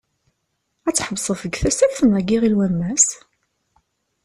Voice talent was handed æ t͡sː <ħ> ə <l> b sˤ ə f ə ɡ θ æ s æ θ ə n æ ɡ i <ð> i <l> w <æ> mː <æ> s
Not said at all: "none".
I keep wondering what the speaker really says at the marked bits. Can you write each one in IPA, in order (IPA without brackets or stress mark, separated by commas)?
ħ, none, ʁ, l, æ, æ